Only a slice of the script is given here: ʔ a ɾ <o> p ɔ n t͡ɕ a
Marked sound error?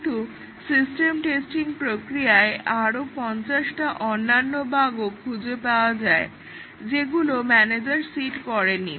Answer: no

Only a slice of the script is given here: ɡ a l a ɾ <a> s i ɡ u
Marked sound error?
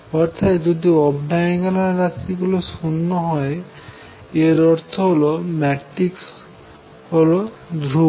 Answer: no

